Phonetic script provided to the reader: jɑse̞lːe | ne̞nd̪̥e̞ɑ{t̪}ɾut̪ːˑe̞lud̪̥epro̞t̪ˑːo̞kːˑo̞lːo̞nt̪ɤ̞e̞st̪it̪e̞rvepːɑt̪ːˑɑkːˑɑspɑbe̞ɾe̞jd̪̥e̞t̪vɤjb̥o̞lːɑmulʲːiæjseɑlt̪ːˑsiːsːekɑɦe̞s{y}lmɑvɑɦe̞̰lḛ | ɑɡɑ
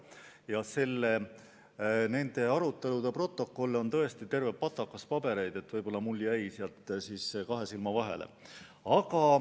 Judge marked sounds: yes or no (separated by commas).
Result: no, no